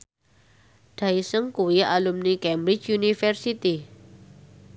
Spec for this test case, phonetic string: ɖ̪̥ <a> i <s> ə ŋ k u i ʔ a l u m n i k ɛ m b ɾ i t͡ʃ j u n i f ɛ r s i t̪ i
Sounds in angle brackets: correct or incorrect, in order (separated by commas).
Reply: correct, correct